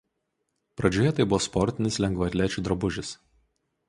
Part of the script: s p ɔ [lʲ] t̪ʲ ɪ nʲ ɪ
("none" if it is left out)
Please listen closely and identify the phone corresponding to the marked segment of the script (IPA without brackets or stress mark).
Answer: ɾʲ